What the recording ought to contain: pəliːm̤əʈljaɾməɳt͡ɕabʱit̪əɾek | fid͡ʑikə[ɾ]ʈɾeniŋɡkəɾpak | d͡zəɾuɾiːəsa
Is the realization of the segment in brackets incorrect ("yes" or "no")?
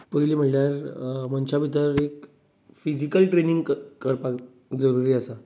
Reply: yes